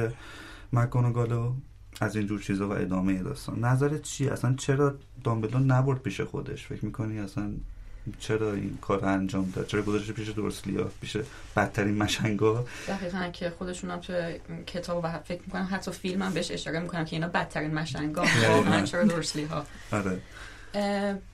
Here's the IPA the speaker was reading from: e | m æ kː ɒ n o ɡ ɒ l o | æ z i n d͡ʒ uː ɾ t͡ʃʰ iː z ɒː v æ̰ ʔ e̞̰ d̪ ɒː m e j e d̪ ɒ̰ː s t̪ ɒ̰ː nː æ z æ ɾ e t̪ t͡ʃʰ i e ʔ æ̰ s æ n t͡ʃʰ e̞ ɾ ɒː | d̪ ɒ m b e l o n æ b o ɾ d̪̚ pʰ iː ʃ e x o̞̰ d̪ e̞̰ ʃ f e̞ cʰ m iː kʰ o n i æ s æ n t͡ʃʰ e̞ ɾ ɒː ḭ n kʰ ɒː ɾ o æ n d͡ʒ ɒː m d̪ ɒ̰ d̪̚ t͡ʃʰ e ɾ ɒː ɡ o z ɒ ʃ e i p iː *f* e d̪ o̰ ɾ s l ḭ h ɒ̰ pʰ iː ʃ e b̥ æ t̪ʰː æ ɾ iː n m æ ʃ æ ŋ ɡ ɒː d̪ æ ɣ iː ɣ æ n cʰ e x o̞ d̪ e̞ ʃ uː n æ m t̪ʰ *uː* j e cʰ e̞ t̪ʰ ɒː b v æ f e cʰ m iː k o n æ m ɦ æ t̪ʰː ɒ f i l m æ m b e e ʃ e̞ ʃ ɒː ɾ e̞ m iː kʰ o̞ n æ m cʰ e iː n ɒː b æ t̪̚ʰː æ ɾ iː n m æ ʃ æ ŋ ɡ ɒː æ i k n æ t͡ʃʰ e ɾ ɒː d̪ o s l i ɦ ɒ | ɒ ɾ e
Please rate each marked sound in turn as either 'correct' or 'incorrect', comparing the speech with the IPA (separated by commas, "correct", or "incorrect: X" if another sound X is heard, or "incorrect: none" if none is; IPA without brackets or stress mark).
incorrect: ʃ, incorrect: u